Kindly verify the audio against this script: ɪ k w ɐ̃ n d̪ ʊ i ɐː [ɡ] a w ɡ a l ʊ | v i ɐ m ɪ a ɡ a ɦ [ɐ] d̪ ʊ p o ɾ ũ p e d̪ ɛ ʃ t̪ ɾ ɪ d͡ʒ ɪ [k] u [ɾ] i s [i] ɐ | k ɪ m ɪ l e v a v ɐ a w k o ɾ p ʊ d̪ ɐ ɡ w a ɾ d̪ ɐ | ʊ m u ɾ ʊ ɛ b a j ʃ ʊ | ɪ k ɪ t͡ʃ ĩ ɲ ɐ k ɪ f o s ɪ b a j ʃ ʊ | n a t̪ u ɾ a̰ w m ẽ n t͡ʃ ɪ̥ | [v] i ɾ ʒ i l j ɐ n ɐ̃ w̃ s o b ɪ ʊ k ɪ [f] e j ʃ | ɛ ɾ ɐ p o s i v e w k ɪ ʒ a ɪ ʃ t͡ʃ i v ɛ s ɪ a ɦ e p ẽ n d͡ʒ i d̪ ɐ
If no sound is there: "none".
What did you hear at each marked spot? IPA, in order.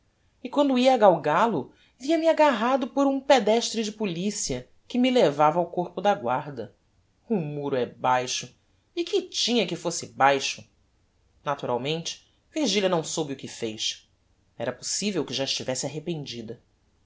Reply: ɡ, a, p, l, i, v, f

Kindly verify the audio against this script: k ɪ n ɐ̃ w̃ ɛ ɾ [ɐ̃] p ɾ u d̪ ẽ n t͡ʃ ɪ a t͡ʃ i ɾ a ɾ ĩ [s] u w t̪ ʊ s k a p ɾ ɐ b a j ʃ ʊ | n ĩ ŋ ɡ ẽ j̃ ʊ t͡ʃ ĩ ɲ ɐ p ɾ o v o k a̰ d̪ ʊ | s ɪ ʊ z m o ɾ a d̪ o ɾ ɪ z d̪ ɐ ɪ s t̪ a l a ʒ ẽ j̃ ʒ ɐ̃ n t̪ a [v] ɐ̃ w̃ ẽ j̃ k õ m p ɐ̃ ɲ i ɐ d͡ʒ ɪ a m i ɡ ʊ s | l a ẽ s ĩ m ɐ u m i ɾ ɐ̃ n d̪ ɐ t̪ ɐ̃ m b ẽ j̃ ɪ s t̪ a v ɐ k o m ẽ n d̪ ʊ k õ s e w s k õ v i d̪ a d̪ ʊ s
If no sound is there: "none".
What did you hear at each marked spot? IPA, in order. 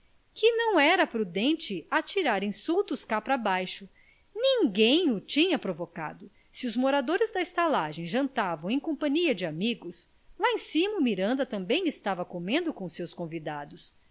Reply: ɐ, s, v

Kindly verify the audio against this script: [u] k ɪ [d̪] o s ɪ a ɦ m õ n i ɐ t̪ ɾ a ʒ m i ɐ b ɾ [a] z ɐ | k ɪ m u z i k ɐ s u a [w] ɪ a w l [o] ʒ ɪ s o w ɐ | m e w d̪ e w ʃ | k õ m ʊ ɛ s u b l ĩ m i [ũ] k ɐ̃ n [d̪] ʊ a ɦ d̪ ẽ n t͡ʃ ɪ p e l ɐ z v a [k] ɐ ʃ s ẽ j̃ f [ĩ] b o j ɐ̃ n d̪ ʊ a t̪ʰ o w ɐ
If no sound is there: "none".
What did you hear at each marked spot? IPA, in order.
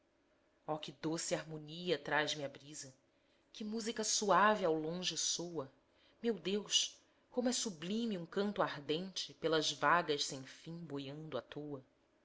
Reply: ɔ, d̪, i, v, õ, ũ, t̪, ɡ, ĩ

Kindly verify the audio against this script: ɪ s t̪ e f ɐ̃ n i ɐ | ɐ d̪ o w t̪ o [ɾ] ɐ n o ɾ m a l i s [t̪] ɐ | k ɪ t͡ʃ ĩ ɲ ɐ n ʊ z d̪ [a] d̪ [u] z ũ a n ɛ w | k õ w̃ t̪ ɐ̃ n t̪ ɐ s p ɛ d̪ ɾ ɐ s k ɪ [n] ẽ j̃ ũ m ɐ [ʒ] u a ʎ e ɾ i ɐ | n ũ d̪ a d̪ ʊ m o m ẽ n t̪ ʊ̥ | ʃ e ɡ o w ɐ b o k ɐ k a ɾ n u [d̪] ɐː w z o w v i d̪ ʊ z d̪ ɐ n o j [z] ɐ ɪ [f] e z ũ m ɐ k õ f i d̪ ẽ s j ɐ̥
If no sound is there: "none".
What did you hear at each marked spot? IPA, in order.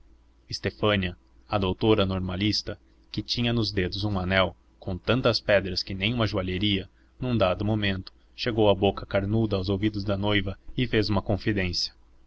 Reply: ɾ, t̪, e, ʊ, n, ʒ, d̪, v, f

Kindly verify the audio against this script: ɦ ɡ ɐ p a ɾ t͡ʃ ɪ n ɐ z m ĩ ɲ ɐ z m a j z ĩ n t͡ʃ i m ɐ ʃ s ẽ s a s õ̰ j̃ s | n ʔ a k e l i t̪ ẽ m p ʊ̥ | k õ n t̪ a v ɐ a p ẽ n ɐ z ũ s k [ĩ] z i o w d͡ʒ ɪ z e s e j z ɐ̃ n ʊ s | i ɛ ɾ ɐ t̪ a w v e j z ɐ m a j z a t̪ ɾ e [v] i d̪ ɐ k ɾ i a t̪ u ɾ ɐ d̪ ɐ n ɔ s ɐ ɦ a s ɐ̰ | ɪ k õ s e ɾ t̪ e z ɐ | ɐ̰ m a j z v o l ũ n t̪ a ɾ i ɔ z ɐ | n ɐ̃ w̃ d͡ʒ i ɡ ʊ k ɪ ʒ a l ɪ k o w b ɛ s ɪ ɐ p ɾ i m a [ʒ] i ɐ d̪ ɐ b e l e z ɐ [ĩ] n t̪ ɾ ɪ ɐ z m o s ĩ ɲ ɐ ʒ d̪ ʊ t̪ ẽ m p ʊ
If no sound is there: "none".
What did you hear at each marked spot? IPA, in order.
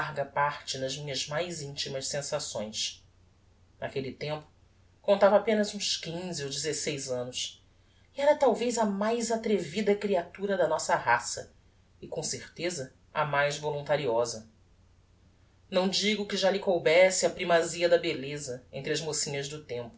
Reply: ĩ, v, z, ẽ

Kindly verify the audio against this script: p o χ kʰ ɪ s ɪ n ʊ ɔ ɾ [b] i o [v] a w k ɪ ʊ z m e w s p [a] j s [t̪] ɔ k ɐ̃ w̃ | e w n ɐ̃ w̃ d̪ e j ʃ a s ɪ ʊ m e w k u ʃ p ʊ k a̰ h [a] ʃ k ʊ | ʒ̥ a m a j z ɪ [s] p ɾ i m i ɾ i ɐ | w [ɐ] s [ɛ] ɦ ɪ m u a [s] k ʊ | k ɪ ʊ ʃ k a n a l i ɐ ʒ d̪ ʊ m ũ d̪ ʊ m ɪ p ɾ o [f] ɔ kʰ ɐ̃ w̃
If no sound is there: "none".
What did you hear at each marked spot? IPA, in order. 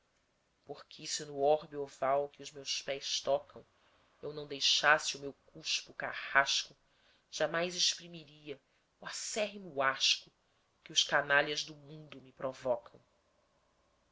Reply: b, v, ɛ, t̪, a, ʃ, a, ɛ, ʃ, v

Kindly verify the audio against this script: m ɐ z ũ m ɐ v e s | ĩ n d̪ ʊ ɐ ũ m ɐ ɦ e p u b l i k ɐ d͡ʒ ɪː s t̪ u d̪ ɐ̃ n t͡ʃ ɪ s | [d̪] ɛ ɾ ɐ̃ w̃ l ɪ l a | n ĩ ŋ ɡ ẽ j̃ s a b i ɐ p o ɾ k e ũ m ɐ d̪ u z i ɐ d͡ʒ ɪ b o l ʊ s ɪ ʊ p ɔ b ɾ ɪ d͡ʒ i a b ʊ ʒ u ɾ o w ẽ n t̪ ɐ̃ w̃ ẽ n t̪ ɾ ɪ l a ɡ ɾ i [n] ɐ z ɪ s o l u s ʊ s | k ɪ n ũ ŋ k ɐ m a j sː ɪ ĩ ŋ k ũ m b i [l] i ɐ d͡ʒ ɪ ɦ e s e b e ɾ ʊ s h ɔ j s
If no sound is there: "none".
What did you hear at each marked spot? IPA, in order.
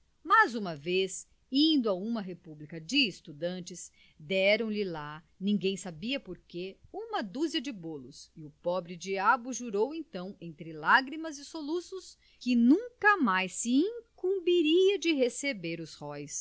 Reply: d̪, m, ɾ

